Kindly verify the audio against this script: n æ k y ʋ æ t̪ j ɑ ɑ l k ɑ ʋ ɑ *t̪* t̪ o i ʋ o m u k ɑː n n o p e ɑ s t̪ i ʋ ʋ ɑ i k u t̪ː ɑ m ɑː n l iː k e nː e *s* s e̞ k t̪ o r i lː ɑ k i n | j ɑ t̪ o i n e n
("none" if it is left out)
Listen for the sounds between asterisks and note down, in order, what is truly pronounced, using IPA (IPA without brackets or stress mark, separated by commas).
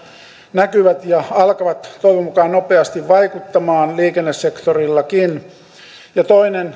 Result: t̪, s